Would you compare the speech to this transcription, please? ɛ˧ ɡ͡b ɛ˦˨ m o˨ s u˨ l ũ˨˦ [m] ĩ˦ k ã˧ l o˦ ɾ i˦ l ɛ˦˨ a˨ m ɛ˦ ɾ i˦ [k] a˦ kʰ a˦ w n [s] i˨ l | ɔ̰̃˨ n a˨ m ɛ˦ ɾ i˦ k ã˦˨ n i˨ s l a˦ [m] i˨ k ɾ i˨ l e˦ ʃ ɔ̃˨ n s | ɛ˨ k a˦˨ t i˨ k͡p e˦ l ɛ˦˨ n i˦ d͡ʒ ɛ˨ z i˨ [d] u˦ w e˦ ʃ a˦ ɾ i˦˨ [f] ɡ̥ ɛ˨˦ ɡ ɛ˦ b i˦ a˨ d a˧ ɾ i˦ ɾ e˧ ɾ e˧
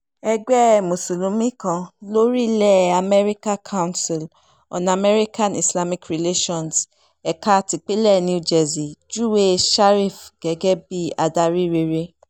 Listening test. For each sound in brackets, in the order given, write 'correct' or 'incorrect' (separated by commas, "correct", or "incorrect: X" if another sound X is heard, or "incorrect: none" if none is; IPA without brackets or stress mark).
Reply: correct, correct, correct, correct, incorrect: d͡ʒ, correct